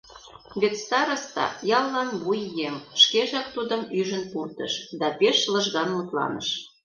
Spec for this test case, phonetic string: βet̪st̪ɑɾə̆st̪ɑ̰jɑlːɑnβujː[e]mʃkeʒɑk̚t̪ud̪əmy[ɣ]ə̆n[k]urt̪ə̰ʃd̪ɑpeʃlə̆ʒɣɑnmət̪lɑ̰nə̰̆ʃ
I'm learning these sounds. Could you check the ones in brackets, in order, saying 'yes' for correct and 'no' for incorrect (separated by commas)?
yes, no, no